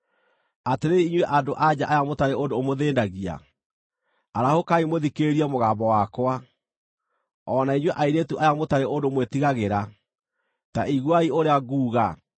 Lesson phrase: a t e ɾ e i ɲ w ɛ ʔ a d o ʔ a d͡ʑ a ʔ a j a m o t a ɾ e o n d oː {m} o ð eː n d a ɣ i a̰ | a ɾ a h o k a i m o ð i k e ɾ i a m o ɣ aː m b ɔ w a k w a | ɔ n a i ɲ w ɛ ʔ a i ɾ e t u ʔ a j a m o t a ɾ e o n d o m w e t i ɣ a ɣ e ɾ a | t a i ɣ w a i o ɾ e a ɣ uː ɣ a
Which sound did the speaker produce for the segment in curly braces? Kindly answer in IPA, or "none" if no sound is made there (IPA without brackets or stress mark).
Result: m